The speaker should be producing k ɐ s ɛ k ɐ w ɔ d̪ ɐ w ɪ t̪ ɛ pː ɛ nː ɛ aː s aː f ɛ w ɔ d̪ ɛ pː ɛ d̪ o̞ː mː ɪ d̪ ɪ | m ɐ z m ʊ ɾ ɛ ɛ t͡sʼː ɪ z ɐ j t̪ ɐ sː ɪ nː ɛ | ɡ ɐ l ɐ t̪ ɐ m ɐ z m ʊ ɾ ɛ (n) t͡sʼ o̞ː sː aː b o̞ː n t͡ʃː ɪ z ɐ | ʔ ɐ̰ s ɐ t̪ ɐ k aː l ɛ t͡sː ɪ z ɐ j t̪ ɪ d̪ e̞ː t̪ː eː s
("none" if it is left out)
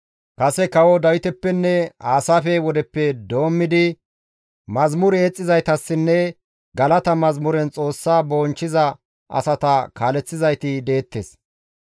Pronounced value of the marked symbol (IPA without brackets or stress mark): n